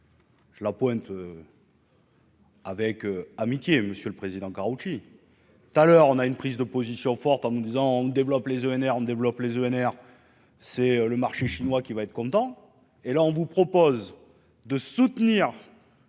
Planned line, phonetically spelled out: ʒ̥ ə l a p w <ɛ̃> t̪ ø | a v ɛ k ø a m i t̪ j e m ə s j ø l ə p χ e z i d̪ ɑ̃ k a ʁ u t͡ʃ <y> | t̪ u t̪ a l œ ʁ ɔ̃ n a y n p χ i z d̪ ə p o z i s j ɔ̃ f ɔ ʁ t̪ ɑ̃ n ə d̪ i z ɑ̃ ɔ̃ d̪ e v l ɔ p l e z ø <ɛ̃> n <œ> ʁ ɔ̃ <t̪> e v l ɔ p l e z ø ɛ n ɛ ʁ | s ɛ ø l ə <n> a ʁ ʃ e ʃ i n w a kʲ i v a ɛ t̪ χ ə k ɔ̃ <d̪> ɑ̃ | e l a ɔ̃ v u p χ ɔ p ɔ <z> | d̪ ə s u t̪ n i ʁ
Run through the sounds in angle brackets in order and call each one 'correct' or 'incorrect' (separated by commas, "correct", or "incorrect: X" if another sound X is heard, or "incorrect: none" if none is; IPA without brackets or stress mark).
correct, incorrect: i, incorrect: ɛ, incorrect: ɛ, incorrect: d̪, incorrect: m, incorrect: t̪, correct